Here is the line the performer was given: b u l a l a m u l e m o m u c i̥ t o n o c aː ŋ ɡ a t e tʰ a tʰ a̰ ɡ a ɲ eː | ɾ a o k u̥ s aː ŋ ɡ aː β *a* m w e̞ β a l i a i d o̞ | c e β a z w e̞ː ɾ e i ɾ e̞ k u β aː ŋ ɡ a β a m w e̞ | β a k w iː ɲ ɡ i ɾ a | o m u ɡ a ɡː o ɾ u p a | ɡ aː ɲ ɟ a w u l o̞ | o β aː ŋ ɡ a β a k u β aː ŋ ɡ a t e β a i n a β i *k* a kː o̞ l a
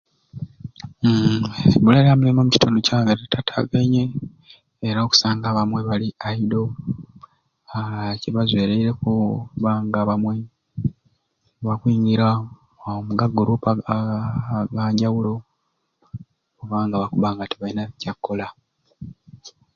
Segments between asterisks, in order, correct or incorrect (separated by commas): correct, incorrect